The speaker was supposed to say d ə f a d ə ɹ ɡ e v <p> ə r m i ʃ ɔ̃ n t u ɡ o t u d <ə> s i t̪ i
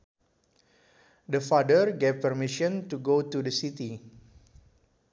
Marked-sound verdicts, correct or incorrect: correct, correct

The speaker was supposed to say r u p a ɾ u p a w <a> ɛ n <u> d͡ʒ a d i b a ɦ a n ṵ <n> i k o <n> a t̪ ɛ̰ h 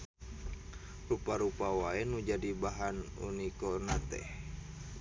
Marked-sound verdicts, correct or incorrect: correct, correct, correct, correct

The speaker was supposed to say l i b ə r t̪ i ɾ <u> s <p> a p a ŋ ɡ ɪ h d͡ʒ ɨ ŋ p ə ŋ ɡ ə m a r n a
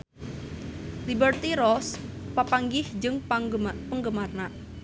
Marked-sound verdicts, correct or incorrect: incorrect, correct

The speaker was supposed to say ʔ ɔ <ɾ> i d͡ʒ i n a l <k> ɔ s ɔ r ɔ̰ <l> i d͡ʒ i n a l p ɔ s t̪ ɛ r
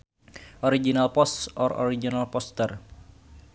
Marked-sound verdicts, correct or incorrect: correct, incorrect, incorrect

